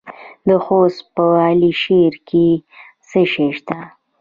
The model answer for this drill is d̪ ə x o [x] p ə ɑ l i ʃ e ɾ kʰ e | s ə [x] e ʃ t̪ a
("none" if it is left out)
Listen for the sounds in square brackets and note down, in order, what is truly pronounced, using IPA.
s, ʃ

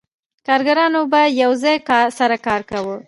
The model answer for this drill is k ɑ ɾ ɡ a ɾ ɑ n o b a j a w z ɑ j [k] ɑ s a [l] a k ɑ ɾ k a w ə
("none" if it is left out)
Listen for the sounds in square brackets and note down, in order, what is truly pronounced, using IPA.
k, ɾ

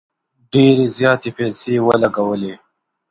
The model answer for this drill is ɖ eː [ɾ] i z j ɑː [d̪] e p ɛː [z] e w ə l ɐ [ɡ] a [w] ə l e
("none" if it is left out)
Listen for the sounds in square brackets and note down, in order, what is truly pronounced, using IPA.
ɾ, t̪, s, ɡ, w

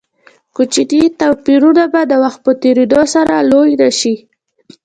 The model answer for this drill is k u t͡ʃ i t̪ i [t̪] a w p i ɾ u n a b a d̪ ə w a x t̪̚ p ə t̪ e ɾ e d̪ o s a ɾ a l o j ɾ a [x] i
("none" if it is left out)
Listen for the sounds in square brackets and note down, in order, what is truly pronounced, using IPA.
t̪, ʃ

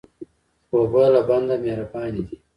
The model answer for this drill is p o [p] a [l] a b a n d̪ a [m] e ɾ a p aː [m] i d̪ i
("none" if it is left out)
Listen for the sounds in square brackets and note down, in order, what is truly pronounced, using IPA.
b, l, m, n

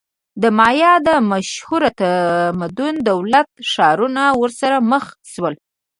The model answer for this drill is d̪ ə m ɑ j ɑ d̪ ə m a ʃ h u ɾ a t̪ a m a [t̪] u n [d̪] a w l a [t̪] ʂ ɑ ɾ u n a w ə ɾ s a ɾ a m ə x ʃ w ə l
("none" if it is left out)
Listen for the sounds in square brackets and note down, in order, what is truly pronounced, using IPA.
d̪, d̪, t̪

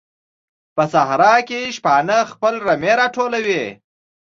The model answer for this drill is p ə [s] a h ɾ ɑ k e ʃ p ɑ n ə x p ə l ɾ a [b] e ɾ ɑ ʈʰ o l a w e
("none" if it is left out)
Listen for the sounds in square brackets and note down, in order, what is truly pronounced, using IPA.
s, m

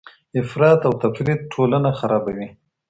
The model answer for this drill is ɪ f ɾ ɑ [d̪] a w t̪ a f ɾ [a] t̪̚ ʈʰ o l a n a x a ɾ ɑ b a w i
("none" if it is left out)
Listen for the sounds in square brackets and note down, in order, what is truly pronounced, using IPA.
t̪, i

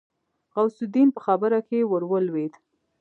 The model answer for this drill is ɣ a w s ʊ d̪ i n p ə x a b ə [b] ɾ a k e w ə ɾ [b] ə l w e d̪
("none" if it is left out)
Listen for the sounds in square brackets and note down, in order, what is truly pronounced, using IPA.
none, w

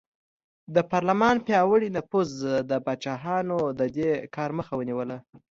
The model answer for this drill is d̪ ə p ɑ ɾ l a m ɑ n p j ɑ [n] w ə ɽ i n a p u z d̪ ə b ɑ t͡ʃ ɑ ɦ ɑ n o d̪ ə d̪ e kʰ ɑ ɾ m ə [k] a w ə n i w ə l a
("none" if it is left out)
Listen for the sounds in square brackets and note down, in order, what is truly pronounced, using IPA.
none, x

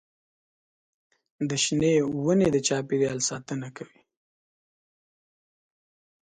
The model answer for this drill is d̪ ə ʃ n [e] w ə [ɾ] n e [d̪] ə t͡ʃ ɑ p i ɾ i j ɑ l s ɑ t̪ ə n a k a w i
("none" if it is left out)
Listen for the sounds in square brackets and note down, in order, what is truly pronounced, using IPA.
e, none, d̪

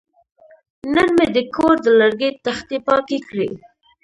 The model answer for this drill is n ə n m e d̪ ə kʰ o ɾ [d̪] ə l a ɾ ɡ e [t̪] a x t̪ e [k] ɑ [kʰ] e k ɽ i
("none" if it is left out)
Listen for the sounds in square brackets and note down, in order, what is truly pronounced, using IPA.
d̪, t̪, p, k

